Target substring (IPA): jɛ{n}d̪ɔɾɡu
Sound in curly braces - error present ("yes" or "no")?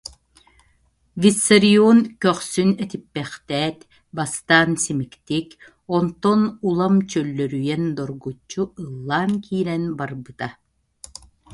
no